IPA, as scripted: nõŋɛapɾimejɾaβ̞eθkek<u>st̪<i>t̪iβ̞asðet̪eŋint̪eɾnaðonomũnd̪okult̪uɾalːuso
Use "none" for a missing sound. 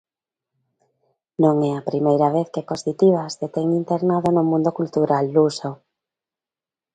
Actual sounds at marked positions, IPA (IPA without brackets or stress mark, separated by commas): o, i